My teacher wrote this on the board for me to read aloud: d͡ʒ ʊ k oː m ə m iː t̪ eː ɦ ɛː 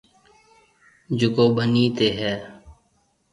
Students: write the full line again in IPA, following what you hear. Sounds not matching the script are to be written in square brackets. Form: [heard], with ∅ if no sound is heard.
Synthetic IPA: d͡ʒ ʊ k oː [b] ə [n] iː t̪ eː ɦ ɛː